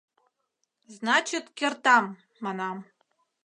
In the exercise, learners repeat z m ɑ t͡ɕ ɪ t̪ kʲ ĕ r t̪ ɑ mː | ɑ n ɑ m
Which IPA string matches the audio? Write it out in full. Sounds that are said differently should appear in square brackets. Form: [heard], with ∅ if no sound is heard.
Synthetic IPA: z [n] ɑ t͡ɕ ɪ t̪ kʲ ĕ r t̪ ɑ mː | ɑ n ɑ m